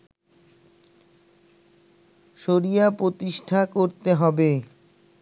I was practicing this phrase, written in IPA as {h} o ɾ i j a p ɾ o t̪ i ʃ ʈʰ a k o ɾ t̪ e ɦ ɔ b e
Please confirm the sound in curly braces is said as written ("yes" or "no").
no